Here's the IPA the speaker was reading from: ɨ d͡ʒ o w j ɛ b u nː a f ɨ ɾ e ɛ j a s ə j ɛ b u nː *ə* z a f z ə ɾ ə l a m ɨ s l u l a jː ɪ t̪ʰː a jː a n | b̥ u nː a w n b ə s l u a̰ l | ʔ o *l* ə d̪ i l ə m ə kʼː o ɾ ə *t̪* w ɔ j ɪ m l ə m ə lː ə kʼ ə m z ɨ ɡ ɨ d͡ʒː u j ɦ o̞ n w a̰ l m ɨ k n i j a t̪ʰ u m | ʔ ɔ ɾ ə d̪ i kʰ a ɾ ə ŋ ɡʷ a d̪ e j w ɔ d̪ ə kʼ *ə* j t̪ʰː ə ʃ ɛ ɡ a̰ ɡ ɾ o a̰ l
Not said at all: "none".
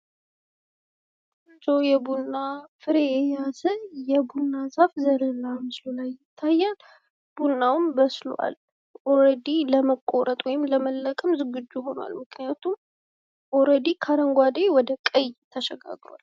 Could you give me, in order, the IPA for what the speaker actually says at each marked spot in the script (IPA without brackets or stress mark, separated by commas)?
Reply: a, ɾ, t̪ʼ, ə